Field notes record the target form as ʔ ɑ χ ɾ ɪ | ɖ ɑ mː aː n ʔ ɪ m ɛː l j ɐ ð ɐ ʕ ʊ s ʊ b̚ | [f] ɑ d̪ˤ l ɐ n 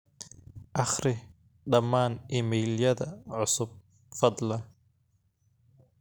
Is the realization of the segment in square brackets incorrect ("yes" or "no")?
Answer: no